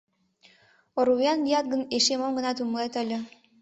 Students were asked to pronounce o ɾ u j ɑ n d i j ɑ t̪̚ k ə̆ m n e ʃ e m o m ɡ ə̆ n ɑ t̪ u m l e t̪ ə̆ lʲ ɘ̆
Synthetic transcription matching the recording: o ɾ u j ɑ n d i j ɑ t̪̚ ɡ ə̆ n e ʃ e m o m ɡ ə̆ n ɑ t̪ u m l e t̪ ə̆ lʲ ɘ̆